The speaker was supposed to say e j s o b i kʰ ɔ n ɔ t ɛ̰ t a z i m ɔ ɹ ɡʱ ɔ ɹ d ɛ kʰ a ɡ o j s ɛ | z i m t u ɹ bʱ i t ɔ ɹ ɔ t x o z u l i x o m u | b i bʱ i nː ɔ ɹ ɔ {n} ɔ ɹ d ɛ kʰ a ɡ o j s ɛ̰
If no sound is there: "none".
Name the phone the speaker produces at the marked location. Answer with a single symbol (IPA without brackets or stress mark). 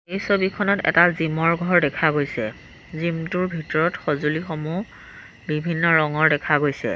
ŋ